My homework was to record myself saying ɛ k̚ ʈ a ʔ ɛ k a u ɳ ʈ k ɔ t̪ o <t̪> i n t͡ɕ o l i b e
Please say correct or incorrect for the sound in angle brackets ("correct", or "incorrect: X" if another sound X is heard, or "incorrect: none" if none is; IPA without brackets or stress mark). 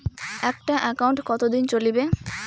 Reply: incorrect: d̪